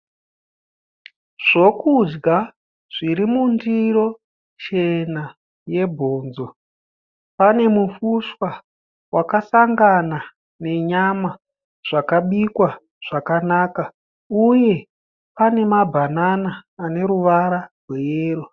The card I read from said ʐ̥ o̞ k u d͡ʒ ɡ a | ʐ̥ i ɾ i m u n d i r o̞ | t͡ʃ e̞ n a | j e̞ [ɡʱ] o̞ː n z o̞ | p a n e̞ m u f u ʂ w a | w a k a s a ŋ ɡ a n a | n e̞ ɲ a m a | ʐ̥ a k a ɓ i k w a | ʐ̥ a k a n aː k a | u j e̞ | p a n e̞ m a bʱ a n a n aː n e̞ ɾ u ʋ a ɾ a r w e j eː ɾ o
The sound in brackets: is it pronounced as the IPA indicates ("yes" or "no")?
no